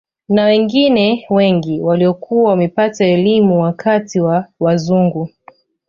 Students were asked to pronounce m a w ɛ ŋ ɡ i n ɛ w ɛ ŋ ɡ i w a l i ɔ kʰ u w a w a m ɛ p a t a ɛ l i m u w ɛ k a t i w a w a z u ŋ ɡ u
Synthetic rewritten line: n a w ɛ ŋ ɡ i n ɛ w ɛ ŋ ɡ i w a l i ɔ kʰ u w a w a m ɛ p a t a ɛ l i m u w a k a t i w a w a z u ŋ ɡ u